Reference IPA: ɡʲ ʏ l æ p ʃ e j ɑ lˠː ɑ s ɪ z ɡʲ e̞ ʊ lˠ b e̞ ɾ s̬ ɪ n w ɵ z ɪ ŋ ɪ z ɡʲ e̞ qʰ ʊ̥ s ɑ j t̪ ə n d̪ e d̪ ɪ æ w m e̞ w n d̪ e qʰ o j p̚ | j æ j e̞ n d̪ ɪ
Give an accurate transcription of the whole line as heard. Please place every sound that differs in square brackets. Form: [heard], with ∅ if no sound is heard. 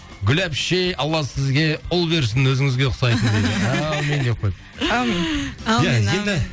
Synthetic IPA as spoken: ɡʲ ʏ l æ p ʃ e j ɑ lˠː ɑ s ɪ z ɡʲ e̞ ʊ lˠ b e̞ ɾ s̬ ɪ n w ɵ z ɪ ŋ ɪ z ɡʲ e̞ qʰ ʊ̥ s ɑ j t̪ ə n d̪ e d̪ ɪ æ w m e̞ [∅] n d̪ e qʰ o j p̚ | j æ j e̞ n d̪ ɪ